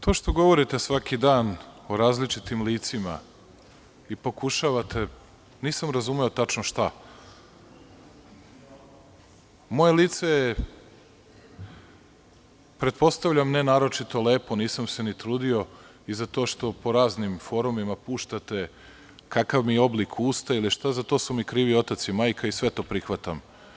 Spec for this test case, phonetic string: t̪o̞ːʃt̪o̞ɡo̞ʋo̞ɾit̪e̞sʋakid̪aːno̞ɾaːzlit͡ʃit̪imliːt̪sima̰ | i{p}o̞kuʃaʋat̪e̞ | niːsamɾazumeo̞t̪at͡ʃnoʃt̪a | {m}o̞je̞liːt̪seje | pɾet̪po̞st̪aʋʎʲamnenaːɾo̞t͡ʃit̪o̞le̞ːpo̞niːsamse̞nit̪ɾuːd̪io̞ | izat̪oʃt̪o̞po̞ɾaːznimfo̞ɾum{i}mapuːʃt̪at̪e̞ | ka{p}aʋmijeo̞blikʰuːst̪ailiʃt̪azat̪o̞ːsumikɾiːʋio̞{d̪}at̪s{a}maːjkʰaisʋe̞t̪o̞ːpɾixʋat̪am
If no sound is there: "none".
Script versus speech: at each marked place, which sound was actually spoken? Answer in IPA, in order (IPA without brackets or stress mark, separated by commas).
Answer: p, m, i, k, t̪, i